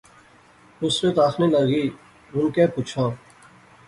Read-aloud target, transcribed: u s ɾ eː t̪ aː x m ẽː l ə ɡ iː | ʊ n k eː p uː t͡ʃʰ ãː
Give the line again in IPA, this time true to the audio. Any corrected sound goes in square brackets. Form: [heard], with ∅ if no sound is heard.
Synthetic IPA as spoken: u s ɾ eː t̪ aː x [n] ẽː l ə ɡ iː | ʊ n k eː p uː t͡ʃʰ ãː